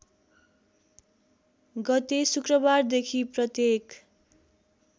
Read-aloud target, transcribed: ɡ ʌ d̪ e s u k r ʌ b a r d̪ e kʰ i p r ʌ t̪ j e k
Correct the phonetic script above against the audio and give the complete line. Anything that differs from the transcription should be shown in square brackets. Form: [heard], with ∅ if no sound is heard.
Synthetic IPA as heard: ɡ ʌ [t̪] e s u k r ʌ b a r d̪ e kʰ i p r ʌ t̪ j e k